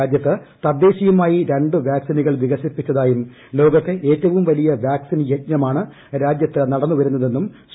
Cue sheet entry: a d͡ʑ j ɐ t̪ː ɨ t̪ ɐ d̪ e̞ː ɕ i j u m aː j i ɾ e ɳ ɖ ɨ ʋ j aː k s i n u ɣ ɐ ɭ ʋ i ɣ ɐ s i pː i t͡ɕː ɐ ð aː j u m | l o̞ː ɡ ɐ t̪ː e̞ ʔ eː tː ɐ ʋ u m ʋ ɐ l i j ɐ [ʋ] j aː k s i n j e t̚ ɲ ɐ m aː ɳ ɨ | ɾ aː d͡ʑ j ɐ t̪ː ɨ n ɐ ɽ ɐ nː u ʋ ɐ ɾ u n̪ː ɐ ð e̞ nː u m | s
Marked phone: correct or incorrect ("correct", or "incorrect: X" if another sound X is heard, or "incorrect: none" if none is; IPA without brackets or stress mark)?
correct